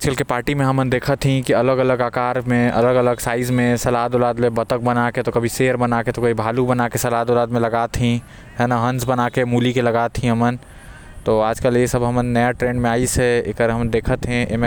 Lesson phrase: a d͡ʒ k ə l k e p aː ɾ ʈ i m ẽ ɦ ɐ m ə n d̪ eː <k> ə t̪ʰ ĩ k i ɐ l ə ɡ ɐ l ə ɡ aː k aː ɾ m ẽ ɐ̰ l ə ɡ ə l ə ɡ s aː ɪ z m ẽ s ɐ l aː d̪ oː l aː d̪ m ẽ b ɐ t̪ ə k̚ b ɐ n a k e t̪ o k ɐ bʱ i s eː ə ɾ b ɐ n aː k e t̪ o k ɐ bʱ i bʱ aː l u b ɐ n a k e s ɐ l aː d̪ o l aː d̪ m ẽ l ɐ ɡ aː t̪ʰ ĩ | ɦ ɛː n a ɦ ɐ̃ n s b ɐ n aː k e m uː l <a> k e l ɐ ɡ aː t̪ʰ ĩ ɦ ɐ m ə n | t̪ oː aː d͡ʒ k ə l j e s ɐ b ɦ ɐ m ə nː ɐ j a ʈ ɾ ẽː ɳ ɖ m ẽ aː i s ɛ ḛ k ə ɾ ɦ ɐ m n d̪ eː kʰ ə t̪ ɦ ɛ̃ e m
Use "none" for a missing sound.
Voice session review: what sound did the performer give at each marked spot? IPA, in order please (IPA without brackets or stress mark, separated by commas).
kʰ, i